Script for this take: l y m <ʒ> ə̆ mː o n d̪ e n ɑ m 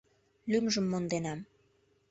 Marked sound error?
no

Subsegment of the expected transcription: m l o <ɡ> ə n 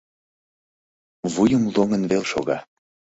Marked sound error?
yes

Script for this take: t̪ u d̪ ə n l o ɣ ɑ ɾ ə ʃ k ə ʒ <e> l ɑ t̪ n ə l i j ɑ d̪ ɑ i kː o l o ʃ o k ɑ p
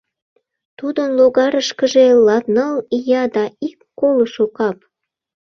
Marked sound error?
no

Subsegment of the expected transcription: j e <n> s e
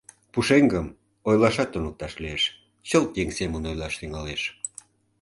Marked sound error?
yes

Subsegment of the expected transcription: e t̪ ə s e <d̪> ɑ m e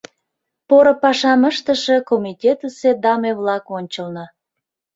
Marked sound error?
no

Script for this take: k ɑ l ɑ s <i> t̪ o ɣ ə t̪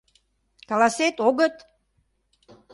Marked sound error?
yes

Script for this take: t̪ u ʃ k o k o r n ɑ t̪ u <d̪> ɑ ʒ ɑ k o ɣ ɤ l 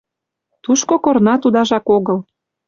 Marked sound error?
no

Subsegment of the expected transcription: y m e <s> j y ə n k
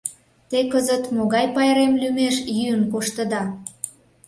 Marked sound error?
yes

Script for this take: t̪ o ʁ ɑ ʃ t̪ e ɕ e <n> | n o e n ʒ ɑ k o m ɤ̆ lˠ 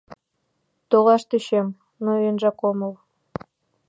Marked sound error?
yes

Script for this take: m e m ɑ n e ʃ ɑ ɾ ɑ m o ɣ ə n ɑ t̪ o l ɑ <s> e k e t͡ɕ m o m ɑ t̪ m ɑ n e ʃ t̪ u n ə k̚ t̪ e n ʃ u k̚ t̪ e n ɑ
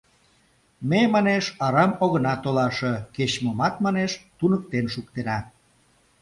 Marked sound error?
yes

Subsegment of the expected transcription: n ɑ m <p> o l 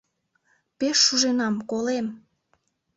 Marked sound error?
yes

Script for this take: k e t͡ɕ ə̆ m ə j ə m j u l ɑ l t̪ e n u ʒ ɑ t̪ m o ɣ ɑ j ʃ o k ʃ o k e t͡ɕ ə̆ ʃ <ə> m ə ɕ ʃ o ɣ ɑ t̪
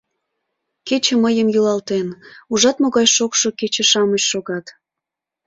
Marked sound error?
yes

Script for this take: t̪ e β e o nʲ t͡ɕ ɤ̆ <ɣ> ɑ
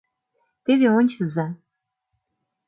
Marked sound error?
yes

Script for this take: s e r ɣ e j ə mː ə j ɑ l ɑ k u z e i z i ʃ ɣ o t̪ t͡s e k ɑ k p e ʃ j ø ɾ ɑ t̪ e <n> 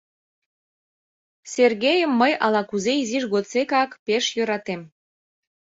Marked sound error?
yes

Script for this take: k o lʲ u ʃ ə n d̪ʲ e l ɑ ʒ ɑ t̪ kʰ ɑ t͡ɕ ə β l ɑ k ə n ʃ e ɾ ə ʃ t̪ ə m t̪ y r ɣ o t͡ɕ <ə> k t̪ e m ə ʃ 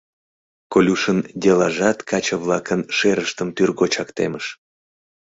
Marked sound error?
yes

